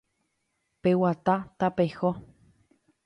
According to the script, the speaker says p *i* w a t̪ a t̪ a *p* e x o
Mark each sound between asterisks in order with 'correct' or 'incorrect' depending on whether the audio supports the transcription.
incorrect, correct

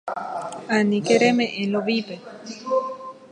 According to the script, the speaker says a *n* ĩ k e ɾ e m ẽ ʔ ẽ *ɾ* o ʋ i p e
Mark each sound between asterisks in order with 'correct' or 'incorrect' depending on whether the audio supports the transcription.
correct, incorrect

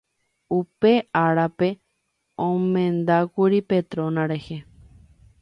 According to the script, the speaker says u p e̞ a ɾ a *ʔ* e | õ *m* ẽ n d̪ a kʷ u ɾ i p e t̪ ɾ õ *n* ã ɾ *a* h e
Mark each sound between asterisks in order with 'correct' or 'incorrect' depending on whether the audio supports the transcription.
incorrect, correct, correct, incorrect

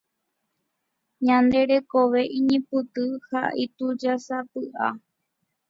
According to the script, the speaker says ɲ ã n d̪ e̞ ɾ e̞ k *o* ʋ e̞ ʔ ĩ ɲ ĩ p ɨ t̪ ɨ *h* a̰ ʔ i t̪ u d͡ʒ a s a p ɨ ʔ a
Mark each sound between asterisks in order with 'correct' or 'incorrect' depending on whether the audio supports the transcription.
correct, correct

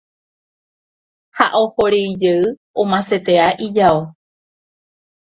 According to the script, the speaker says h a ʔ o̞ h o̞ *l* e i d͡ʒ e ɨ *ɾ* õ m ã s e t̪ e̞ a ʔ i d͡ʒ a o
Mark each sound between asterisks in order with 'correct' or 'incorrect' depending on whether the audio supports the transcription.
incorrect, incorrect

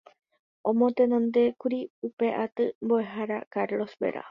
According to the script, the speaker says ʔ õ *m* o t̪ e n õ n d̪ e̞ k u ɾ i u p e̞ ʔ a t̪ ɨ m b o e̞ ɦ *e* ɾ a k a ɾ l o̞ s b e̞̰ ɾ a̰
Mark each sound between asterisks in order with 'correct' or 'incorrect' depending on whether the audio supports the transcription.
correct, incorrect

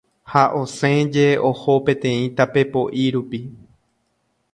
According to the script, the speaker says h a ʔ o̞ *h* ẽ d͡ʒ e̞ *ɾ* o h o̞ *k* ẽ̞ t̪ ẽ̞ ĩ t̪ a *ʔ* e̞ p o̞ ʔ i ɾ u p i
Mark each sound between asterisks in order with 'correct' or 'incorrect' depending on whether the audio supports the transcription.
incorrect, incorrect, incorrect, incorrect

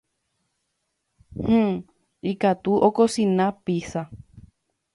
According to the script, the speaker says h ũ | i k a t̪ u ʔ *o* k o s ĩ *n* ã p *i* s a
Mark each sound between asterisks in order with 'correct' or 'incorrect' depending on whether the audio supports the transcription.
correct, correct, correct

